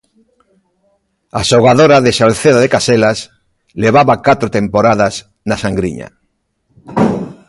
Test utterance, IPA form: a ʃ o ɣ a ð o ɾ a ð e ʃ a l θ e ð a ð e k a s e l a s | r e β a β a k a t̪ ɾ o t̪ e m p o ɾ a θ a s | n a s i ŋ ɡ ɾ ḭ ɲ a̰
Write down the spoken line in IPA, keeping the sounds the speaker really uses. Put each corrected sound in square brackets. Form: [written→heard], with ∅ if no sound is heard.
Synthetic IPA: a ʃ o ɣ a ð o ɾ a ð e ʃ a l θ e ð a ð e k a s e l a s | [r→l] e β a β a k a t̪ ɾ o t̪ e m p o ɾ a [θ→ð] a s | n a s [i→a] ŋ ɡ ɾ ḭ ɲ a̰